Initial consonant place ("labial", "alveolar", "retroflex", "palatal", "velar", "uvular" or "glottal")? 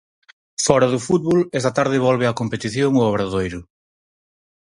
labial